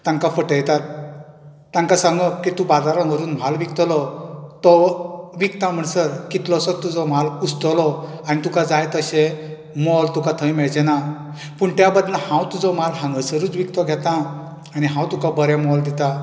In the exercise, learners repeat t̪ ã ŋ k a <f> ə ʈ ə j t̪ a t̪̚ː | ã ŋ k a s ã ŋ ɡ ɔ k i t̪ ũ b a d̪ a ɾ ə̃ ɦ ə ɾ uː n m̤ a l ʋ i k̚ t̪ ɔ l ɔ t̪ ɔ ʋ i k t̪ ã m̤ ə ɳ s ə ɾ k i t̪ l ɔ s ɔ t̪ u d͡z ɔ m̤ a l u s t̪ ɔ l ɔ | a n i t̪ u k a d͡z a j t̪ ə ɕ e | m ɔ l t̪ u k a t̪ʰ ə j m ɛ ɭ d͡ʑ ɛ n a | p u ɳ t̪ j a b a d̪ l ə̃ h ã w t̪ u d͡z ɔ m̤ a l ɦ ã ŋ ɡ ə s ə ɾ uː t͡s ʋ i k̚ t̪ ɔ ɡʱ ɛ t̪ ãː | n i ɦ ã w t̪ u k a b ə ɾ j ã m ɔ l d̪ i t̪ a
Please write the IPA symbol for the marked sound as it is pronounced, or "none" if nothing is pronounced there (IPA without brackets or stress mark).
f